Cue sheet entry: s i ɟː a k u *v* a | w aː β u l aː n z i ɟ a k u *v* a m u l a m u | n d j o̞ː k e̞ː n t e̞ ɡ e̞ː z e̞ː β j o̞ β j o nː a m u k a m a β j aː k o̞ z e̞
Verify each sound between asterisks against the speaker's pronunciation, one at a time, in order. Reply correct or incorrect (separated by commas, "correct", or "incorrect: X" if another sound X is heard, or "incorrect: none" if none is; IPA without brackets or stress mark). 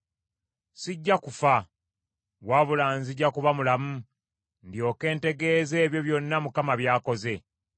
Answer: incorrect: f, incorrect: β